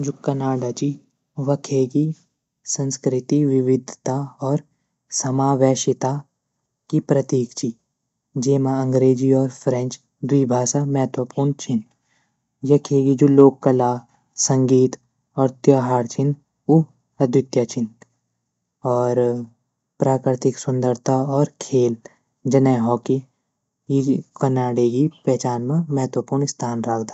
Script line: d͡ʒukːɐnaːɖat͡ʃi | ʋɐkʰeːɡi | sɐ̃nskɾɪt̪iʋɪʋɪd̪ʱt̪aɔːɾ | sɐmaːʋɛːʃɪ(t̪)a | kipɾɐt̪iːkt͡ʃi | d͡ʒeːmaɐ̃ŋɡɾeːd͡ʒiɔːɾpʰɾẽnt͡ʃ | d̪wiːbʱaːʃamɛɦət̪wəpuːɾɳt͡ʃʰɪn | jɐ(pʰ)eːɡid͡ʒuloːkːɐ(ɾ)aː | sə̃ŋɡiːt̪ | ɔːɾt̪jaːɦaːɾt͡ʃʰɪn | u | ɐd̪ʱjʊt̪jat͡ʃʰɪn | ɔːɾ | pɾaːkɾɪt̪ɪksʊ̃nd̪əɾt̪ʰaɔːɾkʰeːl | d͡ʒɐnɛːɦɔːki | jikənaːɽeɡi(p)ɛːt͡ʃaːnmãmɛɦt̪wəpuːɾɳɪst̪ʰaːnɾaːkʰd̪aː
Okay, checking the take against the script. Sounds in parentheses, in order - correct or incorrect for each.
correct, incorrect, incorrect, correct

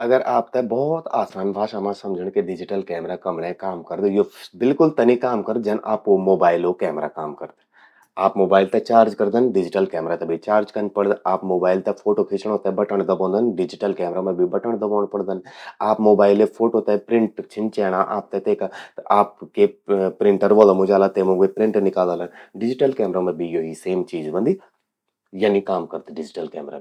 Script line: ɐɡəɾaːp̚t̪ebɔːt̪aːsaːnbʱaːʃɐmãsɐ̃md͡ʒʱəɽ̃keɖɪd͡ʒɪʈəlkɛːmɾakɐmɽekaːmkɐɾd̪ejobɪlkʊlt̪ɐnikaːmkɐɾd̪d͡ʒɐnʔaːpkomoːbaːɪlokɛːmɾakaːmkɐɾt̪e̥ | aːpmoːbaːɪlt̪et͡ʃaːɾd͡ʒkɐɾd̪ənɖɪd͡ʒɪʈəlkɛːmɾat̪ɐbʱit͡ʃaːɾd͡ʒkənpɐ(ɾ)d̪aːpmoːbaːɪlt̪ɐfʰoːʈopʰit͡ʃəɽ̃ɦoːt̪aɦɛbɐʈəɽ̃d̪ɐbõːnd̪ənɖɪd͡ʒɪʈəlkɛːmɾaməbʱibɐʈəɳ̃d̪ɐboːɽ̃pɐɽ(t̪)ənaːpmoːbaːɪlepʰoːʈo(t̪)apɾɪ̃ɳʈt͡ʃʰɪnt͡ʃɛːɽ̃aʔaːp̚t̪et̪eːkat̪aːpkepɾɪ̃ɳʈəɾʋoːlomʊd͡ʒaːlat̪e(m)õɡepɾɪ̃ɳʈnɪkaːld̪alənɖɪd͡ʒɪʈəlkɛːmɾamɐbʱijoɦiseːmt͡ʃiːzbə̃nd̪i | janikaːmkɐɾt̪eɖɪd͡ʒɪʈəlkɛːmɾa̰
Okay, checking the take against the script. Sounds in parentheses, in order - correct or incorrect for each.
incorrect, incorrect, correct, correct

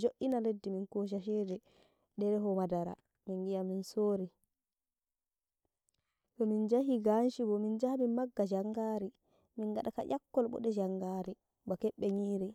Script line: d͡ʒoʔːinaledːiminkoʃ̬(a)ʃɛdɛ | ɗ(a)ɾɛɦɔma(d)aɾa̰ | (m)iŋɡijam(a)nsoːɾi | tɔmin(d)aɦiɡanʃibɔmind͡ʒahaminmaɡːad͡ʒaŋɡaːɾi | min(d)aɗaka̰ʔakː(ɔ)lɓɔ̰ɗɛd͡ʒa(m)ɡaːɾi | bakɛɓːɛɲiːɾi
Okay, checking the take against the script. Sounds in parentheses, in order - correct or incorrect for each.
correct, incorrect, correct, correct, incorrect, incorrect, incorrect, correct, incorrect

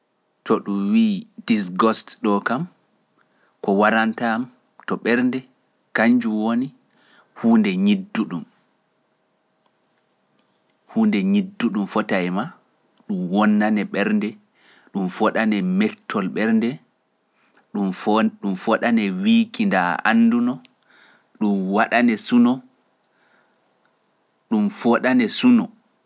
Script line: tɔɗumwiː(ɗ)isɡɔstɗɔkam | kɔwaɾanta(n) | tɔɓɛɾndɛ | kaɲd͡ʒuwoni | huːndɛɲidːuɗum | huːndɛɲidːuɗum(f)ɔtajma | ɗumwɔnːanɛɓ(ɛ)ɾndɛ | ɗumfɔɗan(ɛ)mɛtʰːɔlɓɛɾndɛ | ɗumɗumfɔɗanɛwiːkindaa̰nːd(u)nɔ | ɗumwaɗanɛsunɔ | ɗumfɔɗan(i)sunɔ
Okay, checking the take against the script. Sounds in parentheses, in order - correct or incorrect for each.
incorrect, incorrect, correct, correct, correct, correct, incorrect

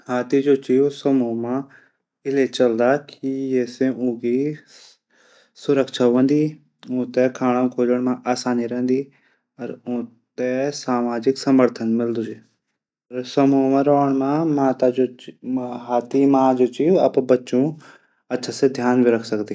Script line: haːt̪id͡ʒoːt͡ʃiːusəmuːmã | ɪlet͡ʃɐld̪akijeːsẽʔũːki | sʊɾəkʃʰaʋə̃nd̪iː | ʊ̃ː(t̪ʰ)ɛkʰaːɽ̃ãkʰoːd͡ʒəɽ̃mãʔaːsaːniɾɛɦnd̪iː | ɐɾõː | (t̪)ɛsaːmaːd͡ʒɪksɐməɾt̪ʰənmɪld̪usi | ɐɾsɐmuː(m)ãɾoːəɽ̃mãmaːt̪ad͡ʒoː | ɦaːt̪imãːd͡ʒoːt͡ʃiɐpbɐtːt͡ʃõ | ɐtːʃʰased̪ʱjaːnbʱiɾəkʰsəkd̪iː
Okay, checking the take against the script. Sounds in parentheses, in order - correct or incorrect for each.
incorrect, correct, correct

